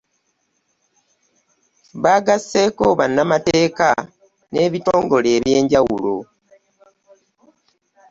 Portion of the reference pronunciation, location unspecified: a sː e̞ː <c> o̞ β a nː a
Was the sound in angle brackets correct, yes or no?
no